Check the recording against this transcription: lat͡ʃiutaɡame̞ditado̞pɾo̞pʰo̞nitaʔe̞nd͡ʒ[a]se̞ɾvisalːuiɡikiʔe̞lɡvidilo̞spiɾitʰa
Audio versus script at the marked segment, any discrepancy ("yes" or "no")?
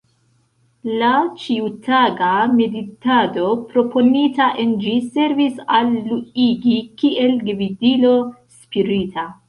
yes